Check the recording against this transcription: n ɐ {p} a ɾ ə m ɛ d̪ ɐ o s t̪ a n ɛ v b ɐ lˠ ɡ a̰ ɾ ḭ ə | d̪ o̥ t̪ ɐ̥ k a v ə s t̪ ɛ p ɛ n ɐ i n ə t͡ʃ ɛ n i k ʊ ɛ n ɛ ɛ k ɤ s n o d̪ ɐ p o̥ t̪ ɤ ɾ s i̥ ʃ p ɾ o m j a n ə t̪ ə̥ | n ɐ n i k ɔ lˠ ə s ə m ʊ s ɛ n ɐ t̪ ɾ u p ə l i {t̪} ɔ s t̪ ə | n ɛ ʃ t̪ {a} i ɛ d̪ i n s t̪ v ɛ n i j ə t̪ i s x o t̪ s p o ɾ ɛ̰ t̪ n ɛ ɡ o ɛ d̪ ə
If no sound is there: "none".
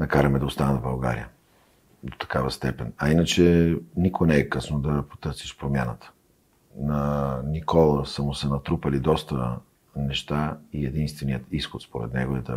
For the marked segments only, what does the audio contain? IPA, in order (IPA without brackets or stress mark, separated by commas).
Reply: k, d̪, a